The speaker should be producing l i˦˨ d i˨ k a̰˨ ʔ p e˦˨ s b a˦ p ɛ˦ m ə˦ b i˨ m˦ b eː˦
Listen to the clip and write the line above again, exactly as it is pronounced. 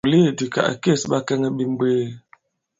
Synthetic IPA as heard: l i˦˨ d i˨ k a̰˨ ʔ k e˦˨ s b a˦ k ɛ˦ ŋ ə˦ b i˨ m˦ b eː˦